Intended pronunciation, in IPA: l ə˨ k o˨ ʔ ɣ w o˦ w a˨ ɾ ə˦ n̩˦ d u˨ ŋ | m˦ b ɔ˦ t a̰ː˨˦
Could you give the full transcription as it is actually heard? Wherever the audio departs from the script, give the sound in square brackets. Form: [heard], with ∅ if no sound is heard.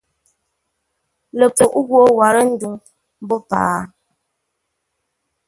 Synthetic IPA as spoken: l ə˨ [p] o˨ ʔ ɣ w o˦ w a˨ ɾ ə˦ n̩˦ d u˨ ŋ | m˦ b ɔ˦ [p] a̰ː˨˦